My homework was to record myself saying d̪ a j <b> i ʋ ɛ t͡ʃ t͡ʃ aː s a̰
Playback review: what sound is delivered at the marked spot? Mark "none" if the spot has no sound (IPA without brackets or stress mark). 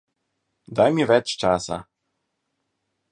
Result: m